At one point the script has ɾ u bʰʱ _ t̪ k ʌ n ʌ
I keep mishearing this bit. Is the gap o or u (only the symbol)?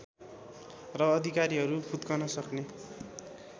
u